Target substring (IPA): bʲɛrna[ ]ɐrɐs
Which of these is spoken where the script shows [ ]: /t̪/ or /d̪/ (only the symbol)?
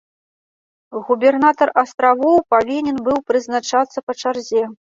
t̪